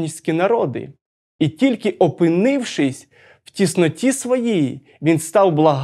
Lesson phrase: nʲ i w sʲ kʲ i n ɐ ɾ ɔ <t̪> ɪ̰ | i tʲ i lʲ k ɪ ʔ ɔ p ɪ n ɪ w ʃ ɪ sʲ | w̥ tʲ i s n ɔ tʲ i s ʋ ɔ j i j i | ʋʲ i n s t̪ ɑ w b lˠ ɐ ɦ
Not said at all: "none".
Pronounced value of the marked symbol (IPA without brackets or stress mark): d̪